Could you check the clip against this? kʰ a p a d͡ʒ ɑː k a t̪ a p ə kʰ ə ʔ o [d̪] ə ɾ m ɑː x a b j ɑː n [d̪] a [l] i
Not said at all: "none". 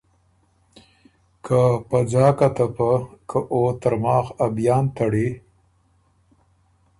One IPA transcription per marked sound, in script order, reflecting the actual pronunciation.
t̪, t̪, ɽ

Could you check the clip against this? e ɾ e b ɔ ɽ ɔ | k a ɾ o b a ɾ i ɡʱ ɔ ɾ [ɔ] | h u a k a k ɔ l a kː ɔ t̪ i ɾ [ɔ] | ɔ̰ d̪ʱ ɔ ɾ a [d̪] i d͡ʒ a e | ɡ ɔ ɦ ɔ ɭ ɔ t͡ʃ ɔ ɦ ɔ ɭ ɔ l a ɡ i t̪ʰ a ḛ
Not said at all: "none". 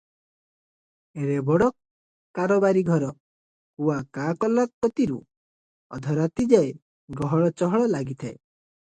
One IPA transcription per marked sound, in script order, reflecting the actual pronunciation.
ɔ, u, t̪

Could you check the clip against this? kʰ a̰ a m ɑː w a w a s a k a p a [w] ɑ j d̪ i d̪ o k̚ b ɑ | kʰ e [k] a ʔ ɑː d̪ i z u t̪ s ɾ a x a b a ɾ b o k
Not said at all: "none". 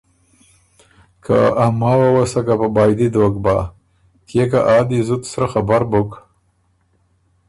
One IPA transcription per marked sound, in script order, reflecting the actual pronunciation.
b, k

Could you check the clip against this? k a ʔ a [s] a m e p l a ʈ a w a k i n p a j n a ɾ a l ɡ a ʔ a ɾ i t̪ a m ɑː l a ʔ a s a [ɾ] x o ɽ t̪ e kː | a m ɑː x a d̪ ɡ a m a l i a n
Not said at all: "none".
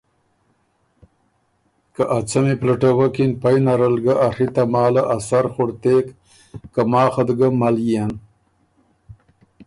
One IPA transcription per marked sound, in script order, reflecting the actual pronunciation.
t͡s, ɾ

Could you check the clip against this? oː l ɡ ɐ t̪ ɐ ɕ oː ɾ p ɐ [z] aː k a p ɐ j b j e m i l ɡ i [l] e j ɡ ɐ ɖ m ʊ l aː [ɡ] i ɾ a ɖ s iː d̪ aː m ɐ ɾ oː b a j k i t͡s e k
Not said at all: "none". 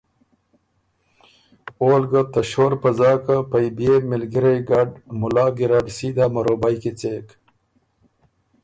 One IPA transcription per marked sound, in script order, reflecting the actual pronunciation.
z, ɾ, ɡ

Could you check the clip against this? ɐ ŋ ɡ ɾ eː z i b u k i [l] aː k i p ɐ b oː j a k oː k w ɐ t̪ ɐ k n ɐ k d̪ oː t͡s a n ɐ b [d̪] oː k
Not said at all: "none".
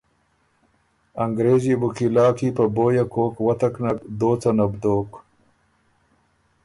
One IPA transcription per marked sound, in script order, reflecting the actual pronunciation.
l, d̪

